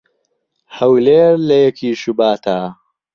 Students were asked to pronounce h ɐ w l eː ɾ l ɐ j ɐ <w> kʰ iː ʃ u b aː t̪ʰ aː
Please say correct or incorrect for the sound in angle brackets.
incorrect